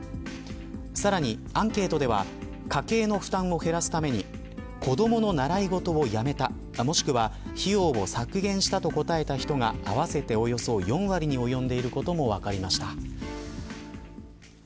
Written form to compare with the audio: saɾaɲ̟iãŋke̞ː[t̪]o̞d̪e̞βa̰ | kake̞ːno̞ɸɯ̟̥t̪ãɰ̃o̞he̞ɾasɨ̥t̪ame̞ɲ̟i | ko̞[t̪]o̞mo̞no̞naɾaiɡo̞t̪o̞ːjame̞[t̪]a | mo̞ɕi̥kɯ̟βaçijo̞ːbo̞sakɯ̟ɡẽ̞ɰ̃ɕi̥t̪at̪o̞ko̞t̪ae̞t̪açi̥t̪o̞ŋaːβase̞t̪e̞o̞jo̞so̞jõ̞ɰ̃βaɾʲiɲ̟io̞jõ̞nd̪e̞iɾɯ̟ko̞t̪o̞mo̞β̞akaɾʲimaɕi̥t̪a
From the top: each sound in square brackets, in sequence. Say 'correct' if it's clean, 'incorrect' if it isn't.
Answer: correct, incorrect, correct

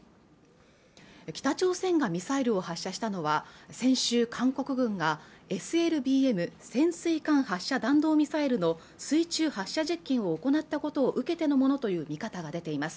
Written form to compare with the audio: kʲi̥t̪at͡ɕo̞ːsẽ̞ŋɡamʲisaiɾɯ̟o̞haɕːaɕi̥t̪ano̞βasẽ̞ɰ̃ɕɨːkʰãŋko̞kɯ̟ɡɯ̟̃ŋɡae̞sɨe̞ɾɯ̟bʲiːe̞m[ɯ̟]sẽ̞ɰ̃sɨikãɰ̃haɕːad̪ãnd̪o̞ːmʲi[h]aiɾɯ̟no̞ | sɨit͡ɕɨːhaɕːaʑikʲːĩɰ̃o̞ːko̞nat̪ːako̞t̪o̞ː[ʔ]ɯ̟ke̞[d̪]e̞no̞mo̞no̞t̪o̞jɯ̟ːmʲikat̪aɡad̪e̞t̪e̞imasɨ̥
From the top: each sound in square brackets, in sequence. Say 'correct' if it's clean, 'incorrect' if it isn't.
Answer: correct, incorrect, correct, incorrect

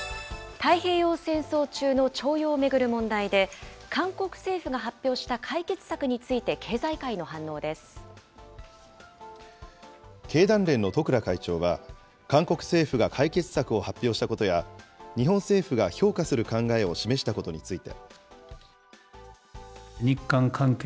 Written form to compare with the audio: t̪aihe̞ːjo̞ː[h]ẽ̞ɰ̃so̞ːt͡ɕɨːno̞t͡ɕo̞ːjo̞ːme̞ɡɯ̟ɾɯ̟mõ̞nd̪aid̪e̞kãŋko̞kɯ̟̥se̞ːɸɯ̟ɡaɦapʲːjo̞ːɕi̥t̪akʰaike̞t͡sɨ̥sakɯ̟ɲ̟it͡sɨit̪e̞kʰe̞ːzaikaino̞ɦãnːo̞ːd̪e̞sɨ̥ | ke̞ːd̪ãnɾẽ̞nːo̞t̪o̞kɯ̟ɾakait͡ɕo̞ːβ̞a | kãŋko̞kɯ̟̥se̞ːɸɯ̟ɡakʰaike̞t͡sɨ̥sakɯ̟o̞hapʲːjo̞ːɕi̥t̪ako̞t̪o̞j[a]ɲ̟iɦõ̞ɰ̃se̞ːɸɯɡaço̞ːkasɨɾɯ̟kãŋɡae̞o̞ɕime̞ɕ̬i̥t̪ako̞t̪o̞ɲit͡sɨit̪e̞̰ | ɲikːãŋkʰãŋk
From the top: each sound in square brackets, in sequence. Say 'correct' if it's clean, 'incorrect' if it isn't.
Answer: incorrect, correct

